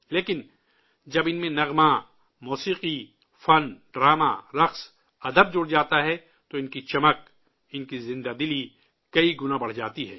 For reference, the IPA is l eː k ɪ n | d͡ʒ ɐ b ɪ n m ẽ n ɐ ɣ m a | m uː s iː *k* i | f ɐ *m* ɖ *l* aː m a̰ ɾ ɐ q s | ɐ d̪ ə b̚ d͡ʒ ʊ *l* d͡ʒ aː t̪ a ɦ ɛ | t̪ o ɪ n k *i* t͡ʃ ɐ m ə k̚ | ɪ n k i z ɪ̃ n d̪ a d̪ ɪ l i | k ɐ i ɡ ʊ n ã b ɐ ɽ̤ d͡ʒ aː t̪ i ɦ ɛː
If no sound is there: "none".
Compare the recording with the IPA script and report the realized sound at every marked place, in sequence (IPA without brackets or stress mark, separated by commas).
q, n, ɾ, ɽ, i